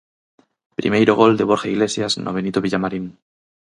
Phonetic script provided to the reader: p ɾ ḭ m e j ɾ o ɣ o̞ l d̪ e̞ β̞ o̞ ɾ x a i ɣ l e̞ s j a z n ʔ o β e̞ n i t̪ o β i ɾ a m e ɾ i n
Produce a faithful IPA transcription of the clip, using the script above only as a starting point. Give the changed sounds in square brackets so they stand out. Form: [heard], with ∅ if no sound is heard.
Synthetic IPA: p ɾ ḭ m e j ɾ o ɣ o̞ l d̪ e̞ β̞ o̞ ɾ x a i ɣ l e̞ s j a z n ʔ o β e̞ n i t̪ o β i [ʎ] a m [a] ɾ i n